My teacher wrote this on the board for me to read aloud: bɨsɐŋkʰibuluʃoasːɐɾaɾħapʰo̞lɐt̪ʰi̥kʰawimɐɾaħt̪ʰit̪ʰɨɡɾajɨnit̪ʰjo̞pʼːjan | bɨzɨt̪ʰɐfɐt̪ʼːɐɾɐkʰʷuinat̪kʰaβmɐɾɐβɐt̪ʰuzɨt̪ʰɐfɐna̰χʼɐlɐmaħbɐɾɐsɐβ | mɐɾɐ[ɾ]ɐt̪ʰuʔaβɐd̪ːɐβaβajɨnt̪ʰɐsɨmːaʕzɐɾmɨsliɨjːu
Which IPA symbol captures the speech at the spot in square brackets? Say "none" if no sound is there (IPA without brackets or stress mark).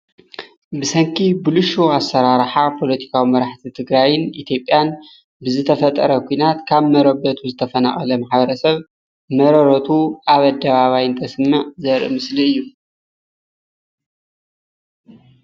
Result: ɾ